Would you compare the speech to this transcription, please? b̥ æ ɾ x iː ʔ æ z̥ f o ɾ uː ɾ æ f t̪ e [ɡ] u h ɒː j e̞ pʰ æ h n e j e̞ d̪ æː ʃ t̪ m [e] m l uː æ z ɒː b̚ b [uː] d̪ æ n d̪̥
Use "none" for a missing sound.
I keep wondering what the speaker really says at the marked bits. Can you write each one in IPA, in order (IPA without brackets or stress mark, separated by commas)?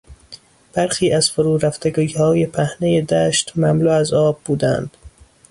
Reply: ɡ, æ, uː